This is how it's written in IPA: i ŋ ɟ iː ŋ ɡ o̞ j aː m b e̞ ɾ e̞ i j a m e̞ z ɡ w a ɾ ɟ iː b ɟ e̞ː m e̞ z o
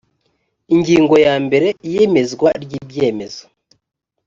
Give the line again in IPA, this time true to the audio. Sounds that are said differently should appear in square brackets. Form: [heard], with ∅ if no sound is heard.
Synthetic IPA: i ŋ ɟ iː ŋ ɡ o̞ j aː m b e̞ ɾ e̞ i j [e] m e̞ z ɡ w a ɾ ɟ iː b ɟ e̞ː m e̞ z o